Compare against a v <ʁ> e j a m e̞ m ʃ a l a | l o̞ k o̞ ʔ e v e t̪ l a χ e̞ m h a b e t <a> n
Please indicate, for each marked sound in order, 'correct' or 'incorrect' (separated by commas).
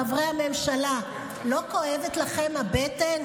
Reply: correct, incorrect